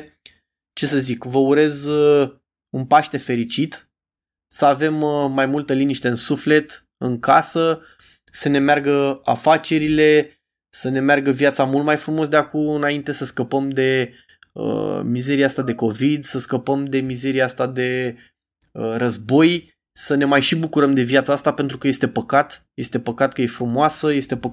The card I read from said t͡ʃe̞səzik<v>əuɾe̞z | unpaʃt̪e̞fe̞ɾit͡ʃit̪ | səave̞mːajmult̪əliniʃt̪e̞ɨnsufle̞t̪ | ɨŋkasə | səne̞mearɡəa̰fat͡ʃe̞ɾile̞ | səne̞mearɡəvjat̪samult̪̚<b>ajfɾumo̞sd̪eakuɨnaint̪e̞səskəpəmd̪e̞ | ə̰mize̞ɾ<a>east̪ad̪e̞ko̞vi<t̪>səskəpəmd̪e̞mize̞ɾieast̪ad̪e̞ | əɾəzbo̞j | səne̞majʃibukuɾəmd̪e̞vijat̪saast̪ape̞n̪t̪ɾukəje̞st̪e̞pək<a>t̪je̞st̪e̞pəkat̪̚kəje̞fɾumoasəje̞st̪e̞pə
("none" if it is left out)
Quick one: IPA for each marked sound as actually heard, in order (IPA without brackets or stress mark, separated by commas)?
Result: v, m, i, d̪, a